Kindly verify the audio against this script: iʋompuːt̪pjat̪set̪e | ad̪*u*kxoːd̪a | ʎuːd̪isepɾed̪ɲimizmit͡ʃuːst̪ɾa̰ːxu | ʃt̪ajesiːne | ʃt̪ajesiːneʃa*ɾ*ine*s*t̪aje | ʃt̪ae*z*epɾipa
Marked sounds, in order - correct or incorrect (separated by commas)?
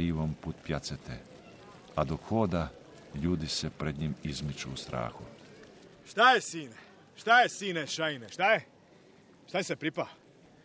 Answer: incorrect, incorrect, incorrect, incorrect